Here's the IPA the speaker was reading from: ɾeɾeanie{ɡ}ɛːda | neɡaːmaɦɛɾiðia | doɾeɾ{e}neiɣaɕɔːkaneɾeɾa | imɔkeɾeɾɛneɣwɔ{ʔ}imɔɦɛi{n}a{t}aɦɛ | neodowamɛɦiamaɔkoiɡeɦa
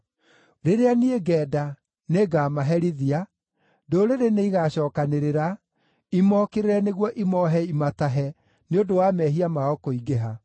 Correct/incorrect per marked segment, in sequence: correct, correct, correct, incorrect, correct

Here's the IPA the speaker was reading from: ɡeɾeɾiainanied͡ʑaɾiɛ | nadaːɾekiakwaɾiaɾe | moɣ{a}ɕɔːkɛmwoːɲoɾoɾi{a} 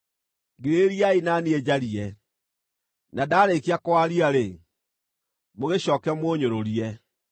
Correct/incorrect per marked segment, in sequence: incorrect, incorrect

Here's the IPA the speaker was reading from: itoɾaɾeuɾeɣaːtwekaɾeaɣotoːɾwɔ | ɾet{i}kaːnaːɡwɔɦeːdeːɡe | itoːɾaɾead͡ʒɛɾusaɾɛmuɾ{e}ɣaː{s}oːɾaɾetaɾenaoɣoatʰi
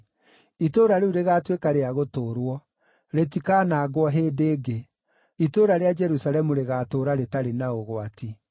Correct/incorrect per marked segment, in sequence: correct, correct, incorrect

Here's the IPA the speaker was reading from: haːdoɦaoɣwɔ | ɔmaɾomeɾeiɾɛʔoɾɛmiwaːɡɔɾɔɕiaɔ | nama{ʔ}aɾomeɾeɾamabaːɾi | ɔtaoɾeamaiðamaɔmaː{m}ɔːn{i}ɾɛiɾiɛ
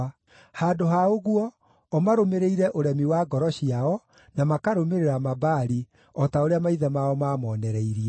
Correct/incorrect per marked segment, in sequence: incorrect, correct, incorrect

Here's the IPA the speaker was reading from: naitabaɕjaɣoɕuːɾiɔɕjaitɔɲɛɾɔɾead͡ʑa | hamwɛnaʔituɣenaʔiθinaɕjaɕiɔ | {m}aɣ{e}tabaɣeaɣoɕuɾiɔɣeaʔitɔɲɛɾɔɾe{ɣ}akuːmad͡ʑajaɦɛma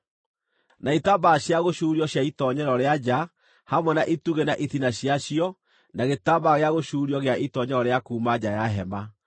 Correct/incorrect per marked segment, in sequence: incorrect, correct, incorrect

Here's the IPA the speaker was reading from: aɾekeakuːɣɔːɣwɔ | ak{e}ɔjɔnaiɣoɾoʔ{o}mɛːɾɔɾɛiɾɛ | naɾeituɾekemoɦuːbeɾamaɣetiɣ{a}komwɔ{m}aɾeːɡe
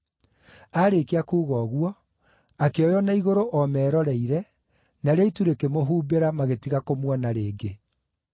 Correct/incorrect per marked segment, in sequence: correct, incorrect, correct, incorrect

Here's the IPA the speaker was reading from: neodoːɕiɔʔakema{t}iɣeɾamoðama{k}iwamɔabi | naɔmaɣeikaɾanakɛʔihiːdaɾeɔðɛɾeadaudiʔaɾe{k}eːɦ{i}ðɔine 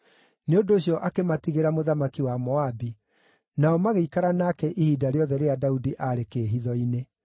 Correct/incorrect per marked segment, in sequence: correct, correct, correct, correct

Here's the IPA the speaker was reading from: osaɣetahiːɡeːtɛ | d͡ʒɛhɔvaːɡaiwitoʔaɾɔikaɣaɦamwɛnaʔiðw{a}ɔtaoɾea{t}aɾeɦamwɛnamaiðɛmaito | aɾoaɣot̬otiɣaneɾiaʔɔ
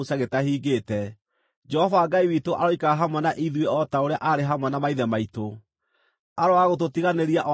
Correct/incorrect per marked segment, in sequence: incorrect, incorrect

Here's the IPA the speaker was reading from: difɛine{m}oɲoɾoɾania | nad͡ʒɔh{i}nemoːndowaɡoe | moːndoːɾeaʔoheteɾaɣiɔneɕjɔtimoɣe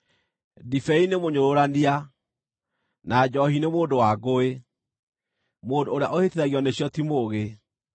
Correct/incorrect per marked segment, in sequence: correct, correct

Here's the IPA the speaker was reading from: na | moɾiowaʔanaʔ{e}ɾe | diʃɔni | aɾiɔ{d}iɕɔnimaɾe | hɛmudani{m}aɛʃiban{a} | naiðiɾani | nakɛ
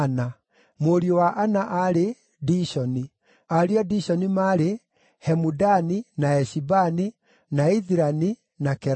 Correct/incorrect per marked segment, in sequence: incorrect, correct, incorrect, incorrect

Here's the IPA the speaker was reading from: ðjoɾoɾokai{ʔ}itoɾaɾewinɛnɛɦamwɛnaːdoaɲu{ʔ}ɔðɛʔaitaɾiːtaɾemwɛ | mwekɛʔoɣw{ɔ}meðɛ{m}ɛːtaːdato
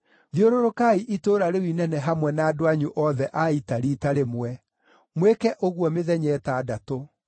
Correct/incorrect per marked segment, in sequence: correct, correct, correct, incorrect

